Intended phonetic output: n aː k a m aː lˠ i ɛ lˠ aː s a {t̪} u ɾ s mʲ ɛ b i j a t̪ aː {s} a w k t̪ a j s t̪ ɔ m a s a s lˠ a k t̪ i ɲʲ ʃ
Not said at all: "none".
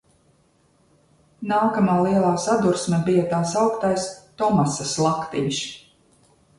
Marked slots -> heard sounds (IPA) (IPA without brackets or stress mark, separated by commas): d̪, s